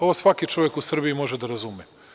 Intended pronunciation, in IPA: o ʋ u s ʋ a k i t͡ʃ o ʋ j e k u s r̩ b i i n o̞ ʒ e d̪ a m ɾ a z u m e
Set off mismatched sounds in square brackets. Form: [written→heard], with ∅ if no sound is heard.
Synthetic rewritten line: o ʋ [u→o] s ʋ a k i t͡ʃ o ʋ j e k u s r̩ b i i [n→m] o̞ ʒ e d̪ a [m→∅] ɾ a z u m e